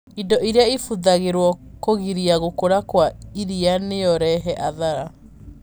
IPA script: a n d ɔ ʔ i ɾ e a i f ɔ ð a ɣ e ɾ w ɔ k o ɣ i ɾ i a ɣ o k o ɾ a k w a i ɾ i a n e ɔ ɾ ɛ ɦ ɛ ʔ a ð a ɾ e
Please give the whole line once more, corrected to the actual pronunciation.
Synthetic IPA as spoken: i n d ɔ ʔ i ɾ e a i f u ð a ɣ e ɾ w ɔ k o ɣ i ɾ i a ɣ o k o ɾ a k w a i ɾ i a n e ɔ ɾ ɛ ɦ ɛ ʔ a ð a ɾ a